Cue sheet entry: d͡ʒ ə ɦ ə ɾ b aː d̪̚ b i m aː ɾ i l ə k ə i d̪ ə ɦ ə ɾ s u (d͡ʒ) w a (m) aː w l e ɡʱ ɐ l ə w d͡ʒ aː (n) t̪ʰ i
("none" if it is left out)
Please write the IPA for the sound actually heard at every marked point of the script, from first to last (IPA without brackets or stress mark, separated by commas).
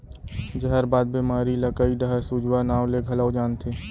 d͡ʒ, n, n